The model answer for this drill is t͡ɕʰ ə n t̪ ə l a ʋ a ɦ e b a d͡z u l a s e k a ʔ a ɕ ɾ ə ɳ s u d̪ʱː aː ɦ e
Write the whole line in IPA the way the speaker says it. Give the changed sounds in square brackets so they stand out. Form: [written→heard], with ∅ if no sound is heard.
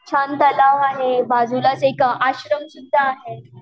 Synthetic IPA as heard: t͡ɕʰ [ə→a] n t̪ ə l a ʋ a ɦ e b a d͡z u l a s e k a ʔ a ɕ ɾ ə [ɳ→m] s u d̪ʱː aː ɦ e